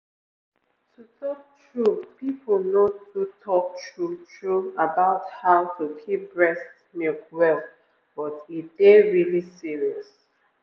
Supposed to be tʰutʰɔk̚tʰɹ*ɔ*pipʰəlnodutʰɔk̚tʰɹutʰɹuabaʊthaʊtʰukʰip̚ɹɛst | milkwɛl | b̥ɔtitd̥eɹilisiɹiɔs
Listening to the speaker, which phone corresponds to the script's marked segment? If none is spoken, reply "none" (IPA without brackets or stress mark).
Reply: u